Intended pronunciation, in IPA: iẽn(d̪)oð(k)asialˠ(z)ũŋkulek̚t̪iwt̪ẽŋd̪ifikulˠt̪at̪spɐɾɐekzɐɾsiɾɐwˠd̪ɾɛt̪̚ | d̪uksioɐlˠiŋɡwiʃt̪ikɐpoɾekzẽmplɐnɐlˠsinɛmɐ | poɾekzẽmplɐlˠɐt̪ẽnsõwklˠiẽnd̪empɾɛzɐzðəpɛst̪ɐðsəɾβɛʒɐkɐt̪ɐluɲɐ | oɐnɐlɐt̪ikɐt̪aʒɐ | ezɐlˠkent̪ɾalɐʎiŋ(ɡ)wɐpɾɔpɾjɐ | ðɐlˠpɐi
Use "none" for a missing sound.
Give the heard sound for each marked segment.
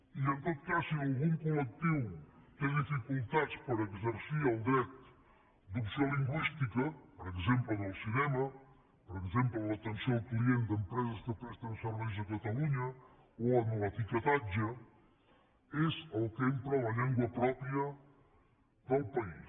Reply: t̪, k, ɣ, ɡ

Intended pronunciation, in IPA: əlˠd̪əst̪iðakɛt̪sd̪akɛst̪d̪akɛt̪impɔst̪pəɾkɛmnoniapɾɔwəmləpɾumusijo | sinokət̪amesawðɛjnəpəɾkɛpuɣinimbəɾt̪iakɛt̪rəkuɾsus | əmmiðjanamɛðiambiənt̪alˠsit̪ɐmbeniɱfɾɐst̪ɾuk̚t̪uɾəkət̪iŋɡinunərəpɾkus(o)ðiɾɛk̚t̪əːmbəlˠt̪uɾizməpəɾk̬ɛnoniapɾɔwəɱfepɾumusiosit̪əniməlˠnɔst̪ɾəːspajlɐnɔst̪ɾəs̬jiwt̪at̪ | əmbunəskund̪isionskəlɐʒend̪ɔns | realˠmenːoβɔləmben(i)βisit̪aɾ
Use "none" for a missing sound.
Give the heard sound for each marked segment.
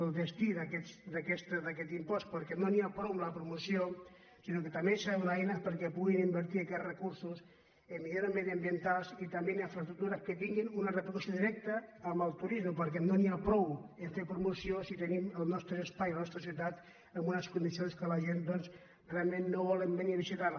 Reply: o, i

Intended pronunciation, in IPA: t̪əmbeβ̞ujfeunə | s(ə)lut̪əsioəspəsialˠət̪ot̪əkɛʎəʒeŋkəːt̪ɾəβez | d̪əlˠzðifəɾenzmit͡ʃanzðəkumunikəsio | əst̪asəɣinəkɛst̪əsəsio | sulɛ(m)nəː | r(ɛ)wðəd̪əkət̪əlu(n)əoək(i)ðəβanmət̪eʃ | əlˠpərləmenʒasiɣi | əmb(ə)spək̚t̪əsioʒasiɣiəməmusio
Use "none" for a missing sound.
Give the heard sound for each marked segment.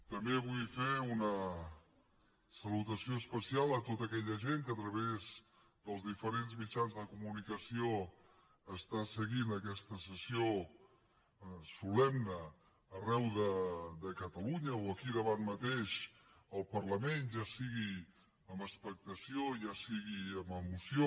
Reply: ə, m, ɛ, ɲ, i, ə

